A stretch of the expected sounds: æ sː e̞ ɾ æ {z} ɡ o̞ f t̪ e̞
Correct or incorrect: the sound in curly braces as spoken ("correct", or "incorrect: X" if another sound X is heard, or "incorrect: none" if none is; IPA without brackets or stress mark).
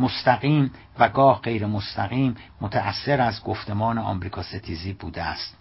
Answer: correct